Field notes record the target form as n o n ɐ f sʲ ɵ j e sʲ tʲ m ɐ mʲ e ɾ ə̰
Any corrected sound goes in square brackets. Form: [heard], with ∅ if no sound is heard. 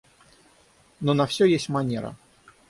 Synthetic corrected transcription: n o n ɐ f sʲ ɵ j e sʲ tʲ m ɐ [nʲ] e ɾ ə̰